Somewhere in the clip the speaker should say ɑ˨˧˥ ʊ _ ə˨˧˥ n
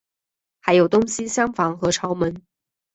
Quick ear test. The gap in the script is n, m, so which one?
m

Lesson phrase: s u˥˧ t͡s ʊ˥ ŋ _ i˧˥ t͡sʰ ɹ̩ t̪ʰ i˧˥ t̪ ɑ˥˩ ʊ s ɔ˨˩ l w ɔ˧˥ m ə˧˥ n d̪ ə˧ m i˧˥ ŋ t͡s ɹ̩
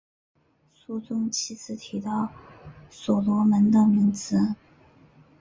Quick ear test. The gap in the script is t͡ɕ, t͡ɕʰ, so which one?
t͡ɕʰ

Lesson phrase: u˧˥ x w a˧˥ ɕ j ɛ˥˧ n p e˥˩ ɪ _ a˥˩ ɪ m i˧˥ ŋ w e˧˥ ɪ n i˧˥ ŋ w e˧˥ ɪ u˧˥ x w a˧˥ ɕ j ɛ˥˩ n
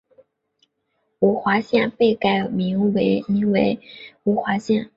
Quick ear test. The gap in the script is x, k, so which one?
k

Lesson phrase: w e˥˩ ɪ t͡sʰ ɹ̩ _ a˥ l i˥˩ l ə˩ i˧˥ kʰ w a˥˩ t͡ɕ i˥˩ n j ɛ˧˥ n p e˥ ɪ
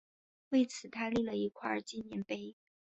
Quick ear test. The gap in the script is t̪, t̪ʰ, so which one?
t̪ʰ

